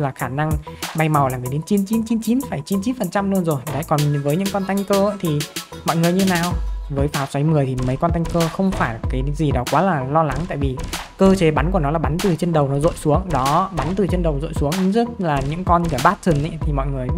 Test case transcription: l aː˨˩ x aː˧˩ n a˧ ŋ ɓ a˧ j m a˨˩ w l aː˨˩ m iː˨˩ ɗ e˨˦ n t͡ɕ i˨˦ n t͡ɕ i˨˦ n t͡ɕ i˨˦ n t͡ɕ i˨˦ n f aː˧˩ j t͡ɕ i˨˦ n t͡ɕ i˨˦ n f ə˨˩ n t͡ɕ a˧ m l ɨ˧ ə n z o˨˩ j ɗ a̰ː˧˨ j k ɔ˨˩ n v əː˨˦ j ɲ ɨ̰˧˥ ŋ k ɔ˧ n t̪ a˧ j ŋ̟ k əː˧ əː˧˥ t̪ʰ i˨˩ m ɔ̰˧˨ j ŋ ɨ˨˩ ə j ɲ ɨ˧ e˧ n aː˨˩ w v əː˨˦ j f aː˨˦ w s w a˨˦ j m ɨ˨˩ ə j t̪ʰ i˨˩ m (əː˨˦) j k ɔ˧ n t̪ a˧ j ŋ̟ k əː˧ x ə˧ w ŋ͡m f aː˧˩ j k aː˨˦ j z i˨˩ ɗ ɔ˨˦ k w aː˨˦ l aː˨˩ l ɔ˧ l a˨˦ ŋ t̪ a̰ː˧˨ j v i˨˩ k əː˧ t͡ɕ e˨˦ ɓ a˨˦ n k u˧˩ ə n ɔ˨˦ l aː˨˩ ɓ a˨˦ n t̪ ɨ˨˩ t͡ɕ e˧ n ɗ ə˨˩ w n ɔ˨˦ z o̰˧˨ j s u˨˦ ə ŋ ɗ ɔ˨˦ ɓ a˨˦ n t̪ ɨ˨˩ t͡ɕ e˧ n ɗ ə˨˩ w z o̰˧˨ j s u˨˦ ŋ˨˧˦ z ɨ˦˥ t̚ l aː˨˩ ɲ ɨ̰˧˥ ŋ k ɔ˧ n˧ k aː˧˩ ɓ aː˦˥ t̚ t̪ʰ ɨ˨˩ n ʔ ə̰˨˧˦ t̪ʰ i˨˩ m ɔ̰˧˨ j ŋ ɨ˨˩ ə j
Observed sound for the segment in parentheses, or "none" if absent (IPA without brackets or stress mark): ə˨˦